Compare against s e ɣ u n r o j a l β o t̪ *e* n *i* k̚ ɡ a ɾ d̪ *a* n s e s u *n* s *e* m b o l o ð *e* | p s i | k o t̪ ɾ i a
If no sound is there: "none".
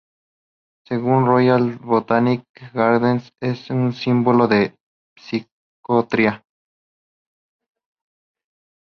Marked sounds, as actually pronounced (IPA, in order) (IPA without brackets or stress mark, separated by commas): a, i, e, n, i, e